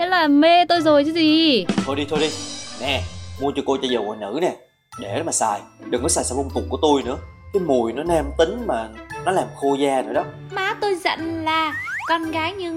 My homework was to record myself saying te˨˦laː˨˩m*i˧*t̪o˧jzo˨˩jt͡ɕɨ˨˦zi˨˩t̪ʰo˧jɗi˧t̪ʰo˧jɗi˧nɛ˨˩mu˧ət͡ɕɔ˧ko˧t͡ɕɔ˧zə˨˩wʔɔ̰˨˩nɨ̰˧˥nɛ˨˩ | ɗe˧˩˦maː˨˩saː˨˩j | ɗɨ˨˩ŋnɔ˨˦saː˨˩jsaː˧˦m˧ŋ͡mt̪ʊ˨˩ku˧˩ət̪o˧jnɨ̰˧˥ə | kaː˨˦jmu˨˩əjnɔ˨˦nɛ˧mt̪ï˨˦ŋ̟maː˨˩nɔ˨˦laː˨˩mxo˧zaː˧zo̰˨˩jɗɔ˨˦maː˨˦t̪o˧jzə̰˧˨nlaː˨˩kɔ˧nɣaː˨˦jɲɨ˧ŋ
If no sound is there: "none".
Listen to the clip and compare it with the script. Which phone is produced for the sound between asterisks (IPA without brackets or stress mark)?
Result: e˧